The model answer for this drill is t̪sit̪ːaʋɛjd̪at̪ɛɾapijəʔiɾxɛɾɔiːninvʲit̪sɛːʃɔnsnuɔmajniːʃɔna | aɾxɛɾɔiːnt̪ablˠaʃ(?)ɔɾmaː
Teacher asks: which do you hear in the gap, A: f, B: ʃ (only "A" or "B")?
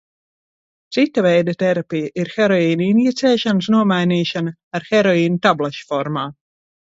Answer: A